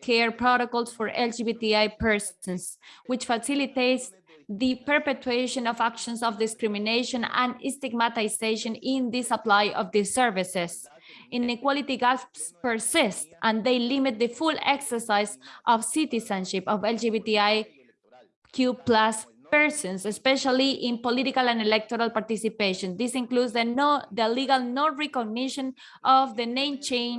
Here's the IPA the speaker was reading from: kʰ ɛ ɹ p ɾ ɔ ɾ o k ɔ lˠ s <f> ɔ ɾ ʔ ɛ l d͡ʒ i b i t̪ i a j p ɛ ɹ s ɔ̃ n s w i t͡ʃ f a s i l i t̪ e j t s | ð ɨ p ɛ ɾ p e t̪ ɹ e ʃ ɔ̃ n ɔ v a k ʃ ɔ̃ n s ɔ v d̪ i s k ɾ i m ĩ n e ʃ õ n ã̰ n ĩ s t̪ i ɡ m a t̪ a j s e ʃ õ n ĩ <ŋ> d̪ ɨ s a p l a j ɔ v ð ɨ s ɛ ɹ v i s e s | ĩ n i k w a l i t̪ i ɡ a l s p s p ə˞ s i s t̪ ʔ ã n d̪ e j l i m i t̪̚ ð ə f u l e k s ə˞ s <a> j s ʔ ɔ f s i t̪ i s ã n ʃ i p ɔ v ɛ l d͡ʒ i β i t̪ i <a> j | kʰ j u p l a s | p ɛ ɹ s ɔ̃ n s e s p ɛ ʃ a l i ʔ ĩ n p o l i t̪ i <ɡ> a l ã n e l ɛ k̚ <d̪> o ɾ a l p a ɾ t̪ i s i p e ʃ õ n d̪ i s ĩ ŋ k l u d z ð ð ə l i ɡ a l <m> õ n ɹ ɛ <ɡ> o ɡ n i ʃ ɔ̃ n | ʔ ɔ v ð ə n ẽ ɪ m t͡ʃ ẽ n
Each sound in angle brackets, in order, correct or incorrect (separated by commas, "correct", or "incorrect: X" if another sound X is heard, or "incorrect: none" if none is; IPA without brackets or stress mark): correct, incorrect: n, correct, correct, incorrect: k, incorrect: t̪, incorrect: n, incorrect: k